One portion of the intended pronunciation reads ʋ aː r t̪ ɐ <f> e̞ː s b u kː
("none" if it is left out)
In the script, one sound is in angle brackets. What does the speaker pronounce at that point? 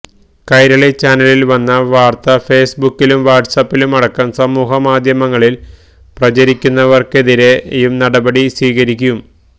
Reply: f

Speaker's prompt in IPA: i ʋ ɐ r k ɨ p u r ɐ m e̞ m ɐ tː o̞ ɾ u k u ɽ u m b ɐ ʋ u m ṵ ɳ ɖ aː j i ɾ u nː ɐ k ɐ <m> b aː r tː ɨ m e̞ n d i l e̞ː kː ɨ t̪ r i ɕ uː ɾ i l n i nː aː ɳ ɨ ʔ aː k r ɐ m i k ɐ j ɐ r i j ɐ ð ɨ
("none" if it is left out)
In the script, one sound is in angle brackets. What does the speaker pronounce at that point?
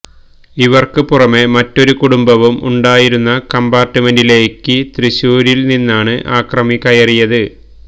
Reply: m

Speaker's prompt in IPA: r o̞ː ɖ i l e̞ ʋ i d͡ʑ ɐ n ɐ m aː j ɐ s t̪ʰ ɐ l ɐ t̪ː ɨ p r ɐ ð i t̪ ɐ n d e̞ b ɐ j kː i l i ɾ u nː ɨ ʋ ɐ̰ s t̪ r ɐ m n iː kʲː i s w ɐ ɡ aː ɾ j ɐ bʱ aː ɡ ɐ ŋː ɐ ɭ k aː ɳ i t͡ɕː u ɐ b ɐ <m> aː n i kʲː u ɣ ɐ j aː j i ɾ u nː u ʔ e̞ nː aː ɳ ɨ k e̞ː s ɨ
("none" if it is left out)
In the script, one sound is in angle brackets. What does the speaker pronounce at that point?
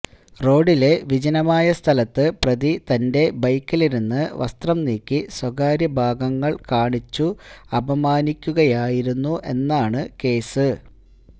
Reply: m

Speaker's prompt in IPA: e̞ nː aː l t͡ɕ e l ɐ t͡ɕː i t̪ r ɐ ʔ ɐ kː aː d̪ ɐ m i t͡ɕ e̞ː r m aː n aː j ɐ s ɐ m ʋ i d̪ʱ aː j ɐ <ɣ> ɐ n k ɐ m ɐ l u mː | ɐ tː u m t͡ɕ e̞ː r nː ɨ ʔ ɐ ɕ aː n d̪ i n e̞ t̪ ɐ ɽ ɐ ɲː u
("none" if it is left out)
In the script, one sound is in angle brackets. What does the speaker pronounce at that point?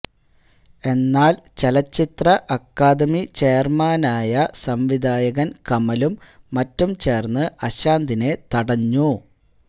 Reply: ɣ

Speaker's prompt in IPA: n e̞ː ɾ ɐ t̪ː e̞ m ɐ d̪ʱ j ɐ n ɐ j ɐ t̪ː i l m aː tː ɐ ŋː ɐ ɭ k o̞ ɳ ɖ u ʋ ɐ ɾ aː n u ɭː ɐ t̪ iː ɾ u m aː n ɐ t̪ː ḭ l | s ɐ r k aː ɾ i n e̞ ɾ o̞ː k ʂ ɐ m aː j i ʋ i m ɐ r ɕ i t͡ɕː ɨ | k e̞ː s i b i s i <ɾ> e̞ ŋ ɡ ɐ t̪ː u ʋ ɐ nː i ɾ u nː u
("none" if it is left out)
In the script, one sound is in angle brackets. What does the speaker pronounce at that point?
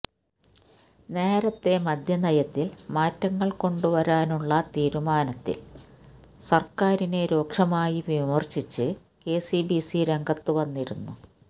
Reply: ɾ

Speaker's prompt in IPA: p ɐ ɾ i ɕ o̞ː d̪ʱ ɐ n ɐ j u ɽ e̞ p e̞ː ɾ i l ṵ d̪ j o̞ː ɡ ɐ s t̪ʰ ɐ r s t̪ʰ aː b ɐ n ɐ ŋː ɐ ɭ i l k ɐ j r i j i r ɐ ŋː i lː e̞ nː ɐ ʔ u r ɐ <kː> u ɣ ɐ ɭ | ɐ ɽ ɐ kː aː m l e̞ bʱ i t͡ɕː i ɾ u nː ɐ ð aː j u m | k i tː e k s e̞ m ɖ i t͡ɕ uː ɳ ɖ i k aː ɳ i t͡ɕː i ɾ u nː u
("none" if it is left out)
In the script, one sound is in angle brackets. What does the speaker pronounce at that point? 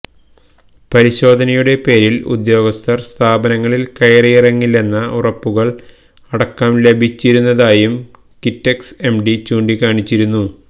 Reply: pː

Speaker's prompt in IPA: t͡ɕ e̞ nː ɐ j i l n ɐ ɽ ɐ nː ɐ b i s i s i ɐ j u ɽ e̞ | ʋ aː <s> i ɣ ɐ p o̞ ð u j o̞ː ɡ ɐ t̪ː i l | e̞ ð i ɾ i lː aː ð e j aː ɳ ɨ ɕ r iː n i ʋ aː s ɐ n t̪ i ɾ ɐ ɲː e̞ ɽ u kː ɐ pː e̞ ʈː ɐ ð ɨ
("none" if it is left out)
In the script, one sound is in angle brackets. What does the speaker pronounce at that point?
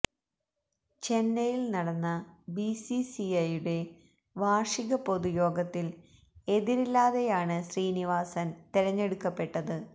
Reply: ʂ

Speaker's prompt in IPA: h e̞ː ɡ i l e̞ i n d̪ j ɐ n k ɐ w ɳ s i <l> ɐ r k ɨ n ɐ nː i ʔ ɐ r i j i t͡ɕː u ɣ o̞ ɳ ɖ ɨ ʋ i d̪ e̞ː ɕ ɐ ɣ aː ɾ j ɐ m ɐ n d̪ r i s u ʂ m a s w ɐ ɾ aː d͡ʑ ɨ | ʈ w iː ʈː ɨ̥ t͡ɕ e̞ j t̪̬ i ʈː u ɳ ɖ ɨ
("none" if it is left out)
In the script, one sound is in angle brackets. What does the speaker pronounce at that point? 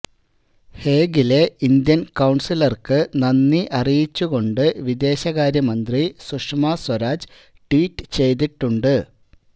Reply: l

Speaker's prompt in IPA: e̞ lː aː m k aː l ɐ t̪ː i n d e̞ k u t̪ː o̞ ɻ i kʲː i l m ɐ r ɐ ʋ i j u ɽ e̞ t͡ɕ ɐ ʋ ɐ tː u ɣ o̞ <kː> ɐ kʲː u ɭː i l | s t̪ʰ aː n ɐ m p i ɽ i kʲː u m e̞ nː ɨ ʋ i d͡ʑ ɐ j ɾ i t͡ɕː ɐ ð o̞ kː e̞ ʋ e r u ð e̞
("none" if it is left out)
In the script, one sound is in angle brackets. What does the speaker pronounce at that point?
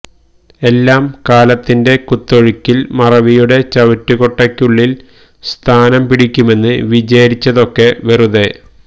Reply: ʈː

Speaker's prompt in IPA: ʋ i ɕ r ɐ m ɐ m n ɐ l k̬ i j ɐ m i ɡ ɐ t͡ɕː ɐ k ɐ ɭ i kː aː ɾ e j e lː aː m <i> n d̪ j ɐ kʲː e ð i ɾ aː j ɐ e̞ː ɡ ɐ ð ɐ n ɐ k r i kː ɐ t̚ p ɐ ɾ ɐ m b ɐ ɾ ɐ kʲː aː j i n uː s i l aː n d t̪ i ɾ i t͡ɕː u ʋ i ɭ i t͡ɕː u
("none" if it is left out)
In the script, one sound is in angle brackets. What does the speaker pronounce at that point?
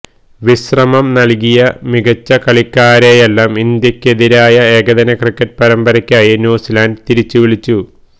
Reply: i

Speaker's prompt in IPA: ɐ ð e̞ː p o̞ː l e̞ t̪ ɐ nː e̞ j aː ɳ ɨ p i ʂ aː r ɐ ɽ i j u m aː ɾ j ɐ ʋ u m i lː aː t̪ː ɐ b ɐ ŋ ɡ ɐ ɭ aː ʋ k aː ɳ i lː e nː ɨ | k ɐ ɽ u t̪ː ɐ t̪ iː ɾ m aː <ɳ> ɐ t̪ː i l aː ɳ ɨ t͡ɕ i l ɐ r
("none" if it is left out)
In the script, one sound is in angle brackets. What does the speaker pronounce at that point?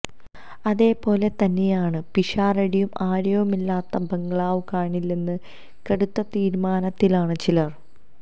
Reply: n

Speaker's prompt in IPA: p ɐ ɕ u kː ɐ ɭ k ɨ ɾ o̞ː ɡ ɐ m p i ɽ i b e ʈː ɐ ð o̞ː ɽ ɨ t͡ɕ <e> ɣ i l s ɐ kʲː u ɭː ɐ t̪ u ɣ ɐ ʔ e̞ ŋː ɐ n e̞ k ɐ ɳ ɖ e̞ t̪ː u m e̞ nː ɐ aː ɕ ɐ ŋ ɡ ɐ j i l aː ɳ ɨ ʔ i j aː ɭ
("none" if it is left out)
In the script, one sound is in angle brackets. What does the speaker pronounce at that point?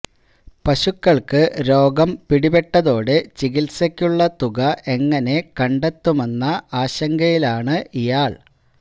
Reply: i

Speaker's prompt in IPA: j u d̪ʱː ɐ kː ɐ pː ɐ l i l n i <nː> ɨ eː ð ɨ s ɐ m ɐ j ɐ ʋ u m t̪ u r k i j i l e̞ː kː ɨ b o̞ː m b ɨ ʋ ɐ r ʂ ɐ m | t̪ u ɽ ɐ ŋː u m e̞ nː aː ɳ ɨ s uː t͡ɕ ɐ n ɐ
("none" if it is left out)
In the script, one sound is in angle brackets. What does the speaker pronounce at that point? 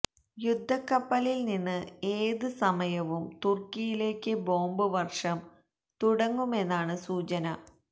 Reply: nː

